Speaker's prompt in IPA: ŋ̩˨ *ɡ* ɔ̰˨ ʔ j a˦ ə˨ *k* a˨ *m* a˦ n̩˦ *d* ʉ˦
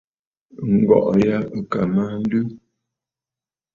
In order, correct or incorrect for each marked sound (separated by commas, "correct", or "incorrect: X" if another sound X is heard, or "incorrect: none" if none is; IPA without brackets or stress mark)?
correct, correct, correct, correct